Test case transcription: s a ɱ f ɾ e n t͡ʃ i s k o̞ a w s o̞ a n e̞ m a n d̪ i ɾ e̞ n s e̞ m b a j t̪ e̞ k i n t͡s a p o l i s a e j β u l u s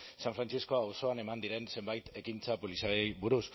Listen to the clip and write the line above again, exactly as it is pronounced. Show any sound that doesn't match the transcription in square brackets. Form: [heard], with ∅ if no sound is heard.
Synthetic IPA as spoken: s a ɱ f ɾ [a] n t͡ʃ i s k o̞ a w s o̞ a n e̞ m a n d̪ i ɾ e̞ n s e̞ m b a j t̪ e̞ k i n t͡s a p o l i s a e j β u [ɾ] u s